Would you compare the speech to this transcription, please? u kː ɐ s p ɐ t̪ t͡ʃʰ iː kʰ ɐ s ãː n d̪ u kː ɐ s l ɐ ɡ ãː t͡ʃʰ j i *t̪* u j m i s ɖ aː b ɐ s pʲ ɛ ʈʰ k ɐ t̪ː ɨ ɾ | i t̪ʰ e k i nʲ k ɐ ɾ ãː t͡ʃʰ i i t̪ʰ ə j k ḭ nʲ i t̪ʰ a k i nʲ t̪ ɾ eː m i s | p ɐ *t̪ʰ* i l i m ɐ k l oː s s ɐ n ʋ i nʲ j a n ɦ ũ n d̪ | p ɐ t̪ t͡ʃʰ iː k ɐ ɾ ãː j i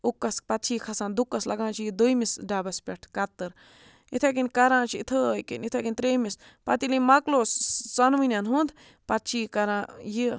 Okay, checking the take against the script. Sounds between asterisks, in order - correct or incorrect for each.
incorrect, incorrect

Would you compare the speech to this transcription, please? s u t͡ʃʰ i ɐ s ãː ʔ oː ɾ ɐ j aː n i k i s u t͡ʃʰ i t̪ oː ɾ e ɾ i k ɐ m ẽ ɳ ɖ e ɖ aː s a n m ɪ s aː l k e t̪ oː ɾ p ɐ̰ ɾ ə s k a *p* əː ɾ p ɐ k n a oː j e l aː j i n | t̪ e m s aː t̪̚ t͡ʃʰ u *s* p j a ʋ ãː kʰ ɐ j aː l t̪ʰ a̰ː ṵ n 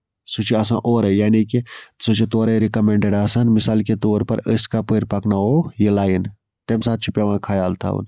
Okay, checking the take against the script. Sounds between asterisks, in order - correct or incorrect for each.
correct, incorrect

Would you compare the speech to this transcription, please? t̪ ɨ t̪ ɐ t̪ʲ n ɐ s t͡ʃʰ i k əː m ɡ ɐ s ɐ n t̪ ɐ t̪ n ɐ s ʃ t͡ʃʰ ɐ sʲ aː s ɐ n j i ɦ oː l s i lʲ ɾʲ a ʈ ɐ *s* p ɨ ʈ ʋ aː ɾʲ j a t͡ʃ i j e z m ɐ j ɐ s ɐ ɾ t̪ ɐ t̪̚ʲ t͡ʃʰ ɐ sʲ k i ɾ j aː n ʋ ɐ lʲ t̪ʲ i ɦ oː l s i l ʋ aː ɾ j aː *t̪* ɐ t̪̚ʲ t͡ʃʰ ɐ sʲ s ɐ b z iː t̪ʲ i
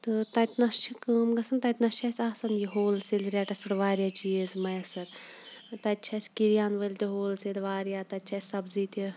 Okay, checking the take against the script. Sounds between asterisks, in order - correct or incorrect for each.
correct, correct

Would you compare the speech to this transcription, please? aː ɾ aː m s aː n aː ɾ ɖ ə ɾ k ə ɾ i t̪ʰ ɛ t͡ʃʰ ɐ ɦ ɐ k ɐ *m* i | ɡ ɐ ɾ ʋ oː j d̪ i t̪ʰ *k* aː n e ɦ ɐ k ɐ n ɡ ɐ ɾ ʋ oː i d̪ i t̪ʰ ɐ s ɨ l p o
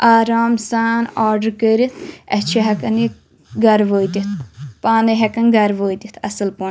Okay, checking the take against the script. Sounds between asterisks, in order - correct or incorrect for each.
incorrect, incorrect

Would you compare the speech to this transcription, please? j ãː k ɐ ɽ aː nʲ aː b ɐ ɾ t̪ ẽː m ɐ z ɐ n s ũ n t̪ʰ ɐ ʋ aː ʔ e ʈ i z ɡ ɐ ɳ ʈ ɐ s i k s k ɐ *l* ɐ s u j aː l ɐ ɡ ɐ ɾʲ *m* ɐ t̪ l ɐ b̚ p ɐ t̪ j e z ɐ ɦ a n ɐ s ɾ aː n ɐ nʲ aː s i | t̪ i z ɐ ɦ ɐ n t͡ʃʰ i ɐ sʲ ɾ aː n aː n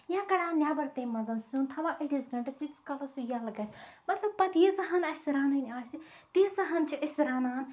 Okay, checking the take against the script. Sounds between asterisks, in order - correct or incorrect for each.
correct, correct

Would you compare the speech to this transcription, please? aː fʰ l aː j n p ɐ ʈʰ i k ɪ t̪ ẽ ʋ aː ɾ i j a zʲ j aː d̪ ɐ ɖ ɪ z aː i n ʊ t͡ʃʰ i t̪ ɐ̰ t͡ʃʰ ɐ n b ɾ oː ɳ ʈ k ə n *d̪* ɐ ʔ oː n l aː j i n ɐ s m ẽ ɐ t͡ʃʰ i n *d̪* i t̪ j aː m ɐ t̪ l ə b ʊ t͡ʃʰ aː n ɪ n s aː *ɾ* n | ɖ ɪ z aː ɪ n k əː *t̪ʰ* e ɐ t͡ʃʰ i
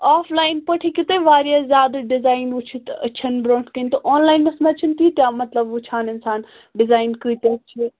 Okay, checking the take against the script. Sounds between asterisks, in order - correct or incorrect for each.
incorrect, incorrect, incorrect, incorrect

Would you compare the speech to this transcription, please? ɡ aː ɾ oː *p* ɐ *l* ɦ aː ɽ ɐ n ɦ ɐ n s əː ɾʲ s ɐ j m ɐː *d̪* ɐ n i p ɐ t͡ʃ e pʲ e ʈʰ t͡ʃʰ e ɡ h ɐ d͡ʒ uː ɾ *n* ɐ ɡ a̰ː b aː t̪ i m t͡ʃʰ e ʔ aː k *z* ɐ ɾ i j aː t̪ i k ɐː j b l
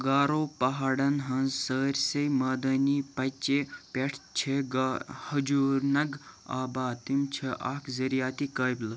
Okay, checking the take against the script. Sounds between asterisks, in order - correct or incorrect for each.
correct, incorrect, correct, correct, correct

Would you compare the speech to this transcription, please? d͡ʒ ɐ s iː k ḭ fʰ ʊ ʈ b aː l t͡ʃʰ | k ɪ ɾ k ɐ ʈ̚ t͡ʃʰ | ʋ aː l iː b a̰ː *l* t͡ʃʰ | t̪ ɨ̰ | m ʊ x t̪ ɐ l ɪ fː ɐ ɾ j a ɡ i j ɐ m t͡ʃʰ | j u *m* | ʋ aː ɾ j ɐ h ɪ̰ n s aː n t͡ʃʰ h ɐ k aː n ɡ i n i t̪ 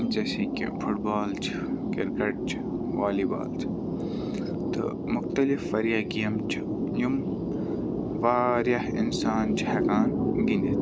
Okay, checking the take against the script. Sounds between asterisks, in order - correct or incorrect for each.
correct, correct

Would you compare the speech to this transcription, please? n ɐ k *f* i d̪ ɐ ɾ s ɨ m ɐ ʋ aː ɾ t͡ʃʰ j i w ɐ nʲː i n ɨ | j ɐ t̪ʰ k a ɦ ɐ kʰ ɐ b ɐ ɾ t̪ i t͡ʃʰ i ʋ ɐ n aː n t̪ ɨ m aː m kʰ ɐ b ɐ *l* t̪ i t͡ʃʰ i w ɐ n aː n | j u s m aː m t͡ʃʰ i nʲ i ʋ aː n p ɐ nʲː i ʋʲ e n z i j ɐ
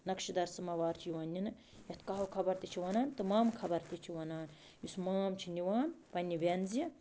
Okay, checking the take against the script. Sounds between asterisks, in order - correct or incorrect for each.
incorrect, incorrect

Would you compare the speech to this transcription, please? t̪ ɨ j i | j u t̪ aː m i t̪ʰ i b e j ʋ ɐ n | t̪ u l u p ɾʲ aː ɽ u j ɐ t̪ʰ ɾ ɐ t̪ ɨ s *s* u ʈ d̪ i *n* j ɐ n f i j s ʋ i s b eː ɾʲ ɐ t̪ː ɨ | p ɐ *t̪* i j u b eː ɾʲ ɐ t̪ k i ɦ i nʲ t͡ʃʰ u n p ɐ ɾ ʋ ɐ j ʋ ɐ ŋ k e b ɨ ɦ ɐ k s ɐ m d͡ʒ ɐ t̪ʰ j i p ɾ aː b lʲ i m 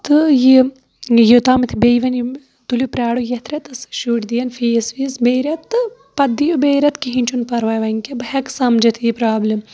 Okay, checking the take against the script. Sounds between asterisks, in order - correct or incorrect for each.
incorrect, incorrect, incorrect

